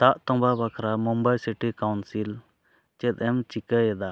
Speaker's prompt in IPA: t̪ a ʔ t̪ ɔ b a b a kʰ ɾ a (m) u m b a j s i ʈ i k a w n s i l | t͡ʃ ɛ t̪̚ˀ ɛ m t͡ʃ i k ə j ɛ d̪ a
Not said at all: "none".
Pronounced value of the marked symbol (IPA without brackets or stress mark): m